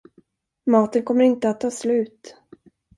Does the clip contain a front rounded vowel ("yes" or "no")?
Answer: no